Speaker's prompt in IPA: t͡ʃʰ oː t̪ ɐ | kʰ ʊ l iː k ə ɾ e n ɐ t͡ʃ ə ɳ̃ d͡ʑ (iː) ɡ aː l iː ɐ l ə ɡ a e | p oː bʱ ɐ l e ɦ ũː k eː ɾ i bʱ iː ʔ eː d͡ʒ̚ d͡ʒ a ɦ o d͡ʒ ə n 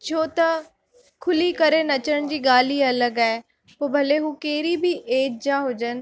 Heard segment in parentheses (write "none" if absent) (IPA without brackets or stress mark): iː